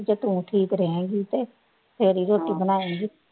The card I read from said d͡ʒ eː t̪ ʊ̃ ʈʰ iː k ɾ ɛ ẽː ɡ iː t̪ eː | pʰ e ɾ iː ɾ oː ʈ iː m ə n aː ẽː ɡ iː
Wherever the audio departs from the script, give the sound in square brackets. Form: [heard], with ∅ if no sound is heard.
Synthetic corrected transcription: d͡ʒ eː t̪ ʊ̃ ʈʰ iː k ɾ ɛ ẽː ɡ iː t̪ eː | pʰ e ɾ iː ɾ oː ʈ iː [b] ə n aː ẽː ɡ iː